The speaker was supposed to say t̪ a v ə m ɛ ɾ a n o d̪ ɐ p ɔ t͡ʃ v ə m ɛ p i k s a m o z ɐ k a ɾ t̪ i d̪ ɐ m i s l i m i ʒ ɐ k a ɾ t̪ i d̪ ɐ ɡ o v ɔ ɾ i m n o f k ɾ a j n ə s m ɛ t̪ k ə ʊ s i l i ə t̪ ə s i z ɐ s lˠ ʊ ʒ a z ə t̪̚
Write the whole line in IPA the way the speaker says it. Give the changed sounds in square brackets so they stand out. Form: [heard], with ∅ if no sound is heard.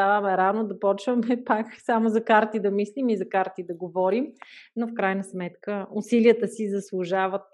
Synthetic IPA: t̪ a v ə m ɛ ɾ a n o d̪ ɐ p ɔ t͡ʃ v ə m ɛ p [a] k s a m o z ɐ k a ɾ t̪ i d̪ ɐ m i s l i m i [z] ɐ k a ɾ t̪ i d̪ ɐ ɡ o v ɔ ɾ i m n o f k ɾ a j n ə s m ɛ t̪ k ə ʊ s i l i ə t̪ ə s i z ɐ s lˠ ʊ ʒ a [v] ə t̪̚